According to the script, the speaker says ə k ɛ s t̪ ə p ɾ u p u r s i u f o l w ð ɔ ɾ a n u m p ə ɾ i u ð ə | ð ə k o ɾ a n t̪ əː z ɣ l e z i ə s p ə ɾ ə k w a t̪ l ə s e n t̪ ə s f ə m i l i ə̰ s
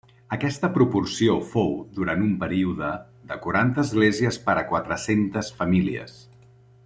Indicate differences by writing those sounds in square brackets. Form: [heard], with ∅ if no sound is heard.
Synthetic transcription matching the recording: ə k ɛ s t̪ ə p ɾ u p u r s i [o] f o [∅] w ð [u] ɾ a n u m p ə ɾ i u ð ə | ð ə k [u] ɾ a n t̪ əː z ɣ l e z i ə s p ə ɾ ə k w a t̪ [ɾ] ə s e n t̪ ə s f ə m i l i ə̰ s